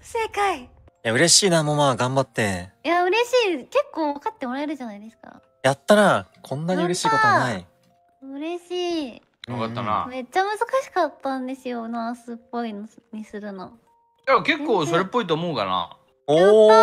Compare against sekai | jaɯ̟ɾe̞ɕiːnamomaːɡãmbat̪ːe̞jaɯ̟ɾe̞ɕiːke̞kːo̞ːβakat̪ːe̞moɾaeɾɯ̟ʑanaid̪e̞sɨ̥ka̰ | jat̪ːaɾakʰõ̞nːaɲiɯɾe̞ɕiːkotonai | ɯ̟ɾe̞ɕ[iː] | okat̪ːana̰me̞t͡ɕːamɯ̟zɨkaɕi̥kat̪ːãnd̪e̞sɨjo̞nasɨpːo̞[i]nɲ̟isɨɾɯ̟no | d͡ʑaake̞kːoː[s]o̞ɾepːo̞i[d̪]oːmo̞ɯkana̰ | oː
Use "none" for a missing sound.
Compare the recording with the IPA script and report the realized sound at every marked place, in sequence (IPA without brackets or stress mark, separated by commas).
iː, i, s, t̪